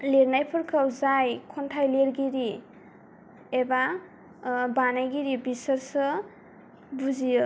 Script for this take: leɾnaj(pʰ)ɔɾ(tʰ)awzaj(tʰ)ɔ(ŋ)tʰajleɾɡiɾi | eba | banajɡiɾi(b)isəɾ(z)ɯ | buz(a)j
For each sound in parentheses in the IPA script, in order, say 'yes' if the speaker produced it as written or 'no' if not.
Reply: yes, no, no, no, yes, no, no

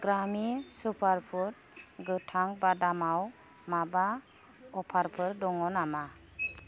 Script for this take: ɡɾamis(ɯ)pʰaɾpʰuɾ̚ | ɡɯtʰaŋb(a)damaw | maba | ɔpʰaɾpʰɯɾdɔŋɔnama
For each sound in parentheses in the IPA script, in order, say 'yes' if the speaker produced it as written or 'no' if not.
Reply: no, yes

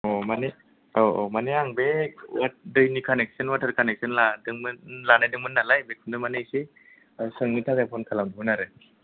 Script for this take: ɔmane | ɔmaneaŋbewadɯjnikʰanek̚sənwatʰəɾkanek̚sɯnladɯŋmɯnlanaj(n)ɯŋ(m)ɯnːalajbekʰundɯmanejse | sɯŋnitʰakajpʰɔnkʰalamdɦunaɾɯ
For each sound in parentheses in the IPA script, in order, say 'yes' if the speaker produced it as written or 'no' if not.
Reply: no, yes

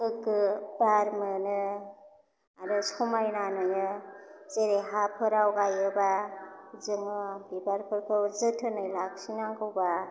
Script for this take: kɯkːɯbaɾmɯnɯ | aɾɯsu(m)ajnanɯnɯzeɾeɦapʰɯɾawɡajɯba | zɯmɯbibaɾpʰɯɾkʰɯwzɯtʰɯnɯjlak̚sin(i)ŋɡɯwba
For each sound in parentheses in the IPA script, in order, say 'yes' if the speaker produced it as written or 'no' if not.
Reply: yes, no

